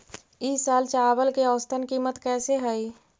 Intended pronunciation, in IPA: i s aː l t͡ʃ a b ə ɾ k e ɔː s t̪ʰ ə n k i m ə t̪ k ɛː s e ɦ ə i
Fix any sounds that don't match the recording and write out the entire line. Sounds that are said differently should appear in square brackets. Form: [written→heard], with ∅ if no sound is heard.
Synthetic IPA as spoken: i s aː l t͡ʃ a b ə [ɾ→l] k e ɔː s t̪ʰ ə n k i m ə t̪ k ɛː s e ɦ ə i